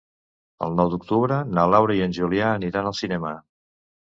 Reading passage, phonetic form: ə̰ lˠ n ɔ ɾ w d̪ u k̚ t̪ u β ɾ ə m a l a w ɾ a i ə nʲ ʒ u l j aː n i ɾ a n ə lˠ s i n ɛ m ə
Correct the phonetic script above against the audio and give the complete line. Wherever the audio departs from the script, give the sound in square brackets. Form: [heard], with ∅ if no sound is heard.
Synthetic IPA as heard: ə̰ lˠ n ɔ [∅] w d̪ u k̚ t̪ u β ɾ ə [n] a l a w ɾ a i ə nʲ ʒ u l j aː n i ɾ a n ə lˠ s i n ɛ m ə